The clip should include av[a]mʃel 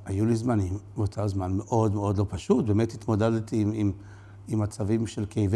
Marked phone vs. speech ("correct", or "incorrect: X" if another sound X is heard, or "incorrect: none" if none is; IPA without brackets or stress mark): incorrect: i